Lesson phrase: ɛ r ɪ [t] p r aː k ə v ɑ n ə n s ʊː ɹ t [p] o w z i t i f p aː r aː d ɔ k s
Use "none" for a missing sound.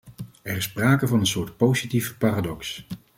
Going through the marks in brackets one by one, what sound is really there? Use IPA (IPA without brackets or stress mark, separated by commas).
s, p